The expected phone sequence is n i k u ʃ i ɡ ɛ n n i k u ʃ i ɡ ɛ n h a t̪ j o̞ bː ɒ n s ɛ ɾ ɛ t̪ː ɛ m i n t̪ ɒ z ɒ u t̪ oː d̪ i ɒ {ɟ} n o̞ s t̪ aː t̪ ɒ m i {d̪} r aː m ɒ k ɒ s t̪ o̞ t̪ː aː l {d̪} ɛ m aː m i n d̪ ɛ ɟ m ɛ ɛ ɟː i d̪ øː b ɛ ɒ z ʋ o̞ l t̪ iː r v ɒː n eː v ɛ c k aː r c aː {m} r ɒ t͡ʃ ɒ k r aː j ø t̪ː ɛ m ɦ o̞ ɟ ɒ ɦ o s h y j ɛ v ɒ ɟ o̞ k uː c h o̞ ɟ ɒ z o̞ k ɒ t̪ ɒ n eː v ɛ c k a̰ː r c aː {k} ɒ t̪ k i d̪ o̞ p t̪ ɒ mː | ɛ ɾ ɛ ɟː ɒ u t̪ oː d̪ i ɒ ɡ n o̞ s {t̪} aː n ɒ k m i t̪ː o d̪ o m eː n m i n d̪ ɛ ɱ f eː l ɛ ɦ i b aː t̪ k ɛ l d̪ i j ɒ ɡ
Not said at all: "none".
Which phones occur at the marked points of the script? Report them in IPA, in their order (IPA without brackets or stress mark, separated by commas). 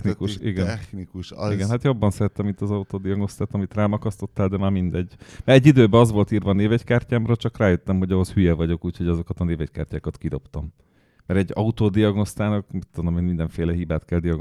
ɡ, t̪, d̪, m, k, t̪